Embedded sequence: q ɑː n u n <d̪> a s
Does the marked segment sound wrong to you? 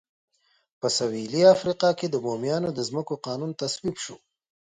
yes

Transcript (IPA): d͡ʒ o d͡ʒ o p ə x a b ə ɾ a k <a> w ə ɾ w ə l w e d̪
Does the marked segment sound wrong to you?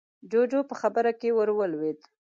yes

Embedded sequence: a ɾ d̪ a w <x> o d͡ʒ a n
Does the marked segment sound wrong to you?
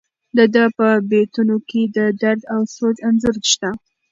yes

